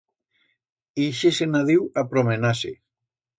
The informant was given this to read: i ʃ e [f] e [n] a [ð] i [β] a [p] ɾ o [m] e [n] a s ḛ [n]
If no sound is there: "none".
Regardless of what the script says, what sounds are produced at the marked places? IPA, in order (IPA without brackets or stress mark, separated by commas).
s, n, ð, w, p, m, n, none